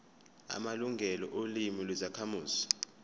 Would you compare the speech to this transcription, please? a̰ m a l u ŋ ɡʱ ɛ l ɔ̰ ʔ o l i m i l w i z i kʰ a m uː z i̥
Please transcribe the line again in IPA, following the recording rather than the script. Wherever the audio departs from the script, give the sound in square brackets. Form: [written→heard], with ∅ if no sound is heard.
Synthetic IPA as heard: a̰ m a l u ŋ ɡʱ ɛ l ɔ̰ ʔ o l i m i l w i z [i→a] kʰ a m uː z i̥

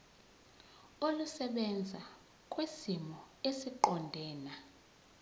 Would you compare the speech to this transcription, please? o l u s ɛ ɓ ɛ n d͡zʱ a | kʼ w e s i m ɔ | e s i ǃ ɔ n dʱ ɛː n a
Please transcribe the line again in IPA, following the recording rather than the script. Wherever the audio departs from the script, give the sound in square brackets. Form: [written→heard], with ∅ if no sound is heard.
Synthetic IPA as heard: o l u s ɛ ɓ ɛ n d͡zʱ a | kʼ w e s i m ɔ | e s i ǃ ɔ n dʱ ɛː n a

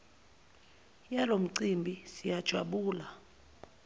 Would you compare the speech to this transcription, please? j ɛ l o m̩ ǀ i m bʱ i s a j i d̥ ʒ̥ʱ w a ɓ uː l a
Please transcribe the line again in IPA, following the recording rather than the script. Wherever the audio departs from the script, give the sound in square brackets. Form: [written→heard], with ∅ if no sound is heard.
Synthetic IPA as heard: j [ɛ→a] l o m̩ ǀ i m bʱ i s [a→i] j [i→a] d̥ ʒ̥ʱ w a ɓ uː l a

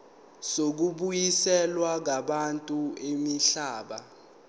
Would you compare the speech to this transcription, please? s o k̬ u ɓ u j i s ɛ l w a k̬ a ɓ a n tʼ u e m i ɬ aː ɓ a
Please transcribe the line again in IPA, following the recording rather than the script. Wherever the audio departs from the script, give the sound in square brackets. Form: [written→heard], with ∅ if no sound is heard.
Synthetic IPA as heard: s o k̬ u ɓ u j i s ɛ l w a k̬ a ɓ a n tʼ u e m i ɬ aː ɓ a

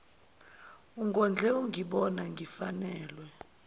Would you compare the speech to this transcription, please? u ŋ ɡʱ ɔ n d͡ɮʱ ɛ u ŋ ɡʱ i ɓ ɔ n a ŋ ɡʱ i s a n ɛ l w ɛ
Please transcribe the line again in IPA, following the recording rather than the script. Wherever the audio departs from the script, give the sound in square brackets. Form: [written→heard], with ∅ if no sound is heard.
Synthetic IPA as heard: u ŋ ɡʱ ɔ n d͡ɮʱ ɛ u ŋ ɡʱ i ɓ ɔ n a ŋ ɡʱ i [s→f] a n [ɛ→ɛː] l w ɛ

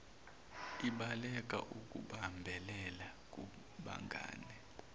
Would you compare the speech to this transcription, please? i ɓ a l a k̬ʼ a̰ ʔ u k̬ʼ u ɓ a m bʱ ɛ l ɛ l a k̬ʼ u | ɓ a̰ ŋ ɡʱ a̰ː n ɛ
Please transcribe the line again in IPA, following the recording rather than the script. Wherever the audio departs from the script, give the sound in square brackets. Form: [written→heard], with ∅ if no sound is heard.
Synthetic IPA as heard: i ɓ a l [a→ɛ] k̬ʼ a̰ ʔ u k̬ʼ u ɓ a m bʱ ɛ l ɛ l a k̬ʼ u | ɓ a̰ ŋ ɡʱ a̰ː n ɛ

